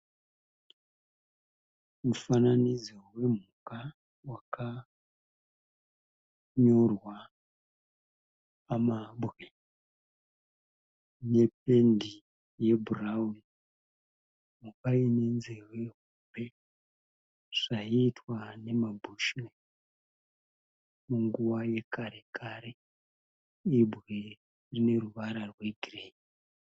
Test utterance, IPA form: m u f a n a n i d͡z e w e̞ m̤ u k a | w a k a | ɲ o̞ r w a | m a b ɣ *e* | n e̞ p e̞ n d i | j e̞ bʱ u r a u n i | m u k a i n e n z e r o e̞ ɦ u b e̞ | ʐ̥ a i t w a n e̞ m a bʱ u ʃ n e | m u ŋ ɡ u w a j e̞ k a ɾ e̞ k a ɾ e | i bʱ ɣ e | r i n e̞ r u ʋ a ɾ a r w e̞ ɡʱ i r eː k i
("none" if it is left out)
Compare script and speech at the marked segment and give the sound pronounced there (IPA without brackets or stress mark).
e